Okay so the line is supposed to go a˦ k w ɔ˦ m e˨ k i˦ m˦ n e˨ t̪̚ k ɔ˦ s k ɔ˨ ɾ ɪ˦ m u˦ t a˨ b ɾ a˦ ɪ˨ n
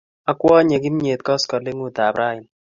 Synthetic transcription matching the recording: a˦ k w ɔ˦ ɲ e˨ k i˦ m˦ ɲ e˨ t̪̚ k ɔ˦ s k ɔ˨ l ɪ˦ ŋ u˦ t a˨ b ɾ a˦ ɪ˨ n